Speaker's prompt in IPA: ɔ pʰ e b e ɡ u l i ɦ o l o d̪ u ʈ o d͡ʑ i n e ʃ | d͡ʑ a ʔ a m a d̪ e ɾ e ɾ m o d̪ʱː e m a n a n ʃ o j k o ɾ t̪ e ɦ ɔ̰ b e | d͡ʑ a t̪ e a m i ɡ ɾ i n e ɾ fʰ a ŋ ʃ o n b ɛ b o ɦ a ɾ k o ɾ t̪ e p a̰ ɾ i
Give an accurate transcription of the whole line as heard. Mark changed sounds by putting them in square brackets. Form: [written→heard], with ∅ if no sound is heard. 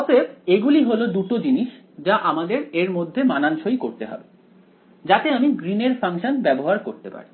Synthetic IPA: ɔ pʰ e b e ɡ u l i ɦ o l o d̪ u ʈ o d͡ʑ i n [e→i] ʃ | d͡ʑ a ʔ a m a d̪ e ɾ e ɾ m o d̪ʱː e m a n a n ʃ o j k o ɾ t̪ e ɦ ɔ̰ b e | d͡ʑ a t̪ e a m i ɡ ɾ i n e ɾ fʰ a ŋ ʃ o n b ɛ b o ɦ a ɾ k o ɾ t̪ e p a̰ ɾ i

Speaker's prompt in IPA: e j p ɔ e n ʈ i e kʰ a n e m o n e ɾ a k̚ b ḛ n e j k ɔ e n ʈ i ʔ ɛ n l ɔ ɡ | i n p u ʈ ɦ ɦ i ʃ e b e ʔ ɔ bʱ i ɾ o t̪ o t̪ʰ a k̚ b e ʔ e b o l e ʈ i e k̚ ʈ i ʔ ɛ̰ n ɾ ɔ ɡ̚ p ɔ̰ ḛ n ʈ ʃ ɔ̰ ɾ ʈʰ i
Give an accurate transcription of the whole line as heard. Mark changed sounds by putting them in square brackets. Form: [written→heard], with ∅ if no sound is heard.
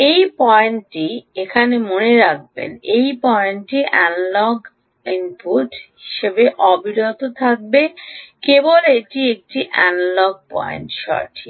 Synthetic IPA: e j p ɔ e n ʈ i e kʰ a n e m o n e ɾ a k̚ b ḛ n e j [k→p] ɔ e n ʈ i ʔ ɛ n l ɔ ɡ | i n p u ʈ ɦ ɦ i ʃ e b e ʔ ɔ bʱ i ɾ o t̪ o t̪ʰ a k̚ b e [ʔ→k] e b o l e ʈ i e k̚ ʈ i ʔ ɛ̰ n [ɾ→l] ɔ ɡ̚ p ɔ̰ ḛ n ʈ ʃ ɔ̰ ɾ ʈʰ i

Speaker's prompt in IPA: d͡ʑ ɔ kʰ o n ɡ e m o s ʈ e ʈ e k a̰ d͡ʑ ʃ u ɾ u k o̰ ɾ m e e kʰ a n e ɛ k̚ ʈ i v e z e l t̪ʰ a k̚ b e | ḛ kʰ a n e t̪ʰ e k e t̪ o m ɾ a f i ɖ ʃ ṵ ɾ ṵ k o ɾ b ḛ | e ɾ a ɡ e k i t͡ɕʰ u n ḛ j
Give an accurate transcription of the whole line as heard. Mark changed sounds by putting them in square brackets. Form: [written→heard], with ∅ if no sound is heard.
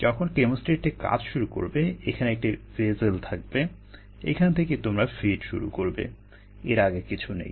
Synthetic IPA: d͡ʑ ɔ kʰ o n [ɡ→k] e m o s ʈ e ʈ e k a̰ d͡ʑ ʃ u ɾ u k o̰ ɾ [m→b] e e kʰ a n e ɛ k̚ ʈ i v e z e l t̪ʰ a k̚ b e | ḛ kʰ a n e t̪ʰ e k e t̪ o m ɾ a f i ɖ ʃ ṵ ɾ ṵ k o ɾ b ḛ | e ɾ a ɡ e k i t͡ɕʰ u n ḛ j

